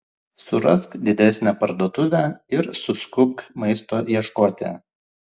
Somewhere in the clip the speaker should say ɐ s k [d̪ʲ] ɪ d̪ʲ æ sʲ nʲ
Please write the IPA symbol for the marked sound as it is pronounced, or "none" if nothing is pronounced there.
d̪ʲ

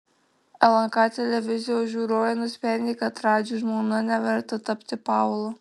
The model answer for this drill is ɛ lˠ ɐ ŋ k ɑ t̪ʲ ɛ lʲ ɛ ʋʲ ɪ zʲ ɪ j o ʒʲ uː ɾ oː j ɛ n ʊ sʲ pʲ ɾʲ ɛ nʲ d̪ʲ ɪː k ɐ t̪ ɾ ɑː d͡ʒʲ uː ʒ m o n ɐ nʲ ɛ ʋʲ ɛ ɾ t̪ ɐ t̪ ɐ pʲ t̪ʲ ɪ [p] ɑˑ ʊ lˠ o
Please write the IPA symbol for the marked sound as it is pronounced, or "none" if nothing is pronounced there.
p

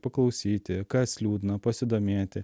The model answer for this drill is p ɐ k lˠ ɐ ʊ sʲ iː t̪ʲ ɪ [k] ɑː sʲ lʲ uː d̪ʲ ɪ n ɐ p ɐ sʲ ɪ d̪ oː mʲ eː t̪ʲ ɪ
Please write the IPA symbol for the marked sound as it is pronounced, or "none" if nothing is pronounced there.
k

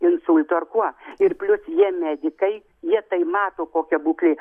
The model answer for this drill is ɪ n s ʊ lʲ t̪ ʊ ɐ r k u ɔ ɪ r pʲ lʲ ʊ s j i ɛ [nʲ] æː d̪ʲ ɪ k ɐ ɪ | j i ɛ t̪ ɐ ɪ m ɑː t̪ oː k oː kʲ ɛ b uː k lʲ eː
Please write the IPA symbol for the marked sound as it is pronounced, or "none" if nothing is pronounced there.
mʲ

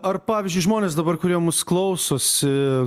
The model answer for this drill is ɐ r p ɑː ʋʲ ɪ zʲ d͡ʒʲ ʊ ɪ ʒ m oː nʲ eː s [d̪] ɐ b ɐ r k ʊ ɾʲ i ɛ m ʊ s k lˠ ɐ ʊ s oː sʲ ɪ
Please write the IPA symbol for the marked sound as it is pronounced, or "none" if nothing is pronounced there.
d̪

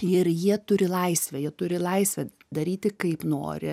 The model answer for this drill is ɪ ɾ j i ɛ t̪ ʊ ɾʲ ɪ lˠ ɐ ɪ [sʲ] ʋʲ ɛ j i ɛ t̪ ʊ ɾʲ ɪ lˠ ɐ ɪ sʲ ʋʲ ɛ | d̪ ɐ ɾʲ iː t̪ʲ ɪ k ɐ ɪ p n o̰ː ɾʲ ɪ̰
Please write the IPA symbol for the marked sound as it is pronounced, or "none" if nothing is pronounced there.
sʲ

